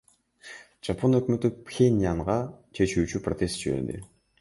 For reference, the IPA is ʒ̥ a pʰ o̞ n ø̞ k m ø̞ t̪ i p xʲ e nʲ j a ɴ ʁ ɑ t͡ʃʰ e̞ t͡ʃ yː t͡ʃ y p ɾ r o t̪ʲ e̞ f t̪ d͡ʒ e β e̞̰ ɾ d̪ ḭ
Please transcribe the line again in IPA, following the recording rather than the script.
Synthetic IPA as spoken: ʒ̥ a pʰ o̞ n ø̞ k m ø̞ t̪ y p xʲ e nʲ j a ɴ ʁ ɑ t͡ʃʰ e̞ t͡ʃ yː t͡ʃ y p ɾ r o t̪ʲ e̞ s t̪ d͡ʒ i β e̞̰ ɾ d̪ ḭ

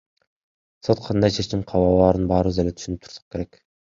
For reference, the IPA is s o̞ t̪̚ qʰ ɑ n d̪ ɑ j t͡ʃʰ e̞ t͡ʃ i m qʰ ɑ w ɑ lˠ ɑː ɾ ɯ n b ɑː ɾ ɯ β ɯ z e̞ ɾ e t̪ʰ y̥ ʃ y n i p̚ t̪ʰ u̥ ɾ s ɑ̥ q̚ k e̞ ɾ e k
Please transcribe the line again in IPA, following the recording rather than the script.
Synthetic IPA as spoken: s o̞ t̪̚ qʰ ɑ n d̪ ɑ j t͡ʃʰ e̞ t͡ʃ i m qʰ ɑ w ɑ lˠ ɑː ɾ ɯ n b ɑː ɾ ɯ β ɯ z e̞ l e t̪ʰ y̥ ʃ y n y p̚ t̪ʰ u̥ ɾ s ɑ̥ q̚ k e̞ ɾ e k

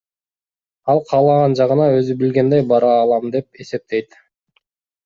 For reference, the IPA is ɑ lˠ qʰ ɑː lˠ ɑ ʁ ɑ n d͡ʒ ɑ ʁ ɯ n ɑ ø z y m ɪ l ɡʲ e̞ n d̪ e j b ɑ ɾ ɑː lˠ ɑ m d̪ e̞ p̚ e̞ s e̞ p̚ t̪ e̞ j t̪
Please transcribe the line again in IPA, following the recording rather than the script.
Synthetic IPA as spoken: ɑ lˠ qʰ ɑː lˠ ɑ ʁ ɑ n d͡ʒ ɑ ʁ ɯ n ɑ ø z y b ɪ l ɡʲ e̞ n d̪ e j b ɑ ɾ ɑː lˠ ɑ m d̪ e̞ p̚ e̞ s e̞ p̚ t̪ e̞ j t̪

